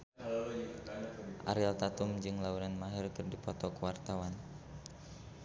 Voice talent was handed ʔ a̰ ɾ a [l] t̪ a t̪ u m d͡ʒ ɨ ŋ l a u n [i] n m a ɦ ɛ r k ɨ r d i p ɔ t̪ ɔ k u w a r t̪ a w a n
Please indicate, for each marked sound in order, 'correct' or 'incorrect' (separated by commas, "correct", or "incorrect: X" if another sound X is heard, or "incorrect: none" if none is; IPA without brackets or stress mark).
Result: correct, incorrect: a